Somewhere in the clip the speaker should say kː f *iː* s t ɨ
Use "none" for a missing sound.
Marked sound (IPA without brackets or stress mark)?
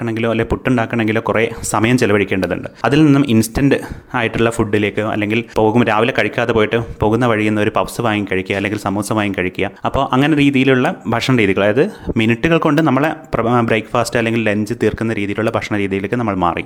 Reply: aː